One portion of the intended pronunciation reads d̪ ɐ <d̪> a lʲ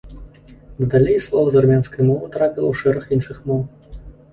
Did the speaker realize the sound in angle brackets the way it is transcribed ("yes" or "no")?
yes